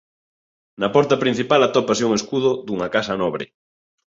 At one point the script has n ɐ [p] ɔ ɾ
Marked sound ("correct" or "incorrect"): correct